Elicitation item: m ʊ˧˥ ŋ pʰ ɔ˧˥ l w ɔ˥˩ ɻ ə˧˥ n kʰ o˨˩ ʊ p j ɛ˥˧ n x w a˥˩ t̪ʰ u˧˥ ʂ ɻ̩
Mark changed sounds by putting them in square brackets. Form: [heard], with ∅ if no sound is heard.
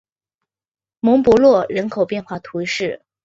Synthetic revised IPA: m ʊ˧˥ ŋ [p] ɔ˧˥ l w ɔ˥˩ ɻ ə˧˥ n kʰ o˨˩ ʊ p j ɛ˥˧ n x w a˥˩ t̪ʰ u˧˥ ʂ ɻ̩